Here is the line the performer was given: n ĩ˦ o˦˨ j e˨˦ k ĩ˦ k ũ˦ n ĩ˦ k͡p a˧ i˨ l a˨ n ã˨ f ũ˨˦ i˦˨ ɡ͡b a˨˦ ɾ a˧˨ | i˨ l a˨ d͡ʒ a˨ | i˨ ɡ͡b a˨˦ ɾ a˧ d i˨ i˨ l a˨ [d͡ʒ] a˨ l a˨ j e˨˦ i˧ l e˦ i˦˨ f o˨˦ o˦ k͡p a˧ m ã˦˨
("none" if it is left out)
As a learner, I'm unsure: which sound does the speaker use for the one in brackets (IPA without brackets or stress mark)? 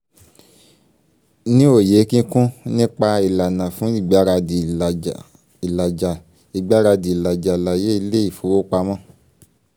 d͡ʒ